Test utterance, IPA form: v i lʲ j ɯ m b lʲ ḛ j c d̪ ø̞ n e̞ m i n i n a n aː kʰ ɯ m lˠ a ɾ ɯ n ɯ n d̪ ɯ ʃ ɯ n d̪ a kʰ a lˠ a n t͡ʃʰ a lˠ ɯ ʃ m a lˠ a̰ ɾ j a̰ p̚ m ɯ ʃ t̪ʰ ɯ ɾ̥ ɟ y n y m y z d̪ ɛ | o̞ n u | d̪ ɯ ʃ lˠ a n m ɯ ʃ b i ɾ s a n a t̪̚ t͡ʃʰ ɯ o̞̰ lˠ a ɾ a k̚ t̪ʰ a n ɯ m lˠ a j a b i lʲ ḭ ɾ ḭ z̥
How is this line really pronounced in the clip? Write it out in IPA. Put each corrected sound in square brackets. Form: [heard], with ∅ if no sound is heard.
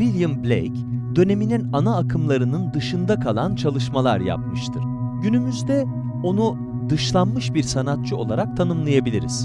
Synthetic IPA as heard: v i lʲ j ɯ m b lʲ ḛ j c d̪ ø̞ n e̞ m i n i n a n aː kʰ ɯ m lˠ a ɾ ɯ n ɯ n d̪ ɯ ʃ ɯ n d̪ a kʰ a lˠ a n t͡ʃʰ a lˠ ɯ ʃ m a lˠ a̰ ɾ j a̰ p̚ m ɯ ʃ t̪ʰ ɯ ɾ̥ ɟ y n y m y z d̪ ɛ | o̞ n u | d̪ ɯ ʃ lˠ a n m ɯ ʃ b i ɾ s a n a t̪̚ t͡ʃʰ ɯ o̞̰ lˠ a ɾ a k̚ t̪ʰ a n ɯ m lˠ a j a b i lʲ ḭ ɾ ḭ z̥